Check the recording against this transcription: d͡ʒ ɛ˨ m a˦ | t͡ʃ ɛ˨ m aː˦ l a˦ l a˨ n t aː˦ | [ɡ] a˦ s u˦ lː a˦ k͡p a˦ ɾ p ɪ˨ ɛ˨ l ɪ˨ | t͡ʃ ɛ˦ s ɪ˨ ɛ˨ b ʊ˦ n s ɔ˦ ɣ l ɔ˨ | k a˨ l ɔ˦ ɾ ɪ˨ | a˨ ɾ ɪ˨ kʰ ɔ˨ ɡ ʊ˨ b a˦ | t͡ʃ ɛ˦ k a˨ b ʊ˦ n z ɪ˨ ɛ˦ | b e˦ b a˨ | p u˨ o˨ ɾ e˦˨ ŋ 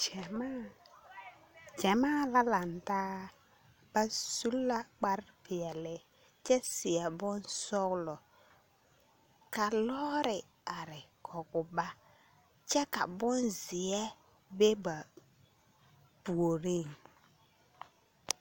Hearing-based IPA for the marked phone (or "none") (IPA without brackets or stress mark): b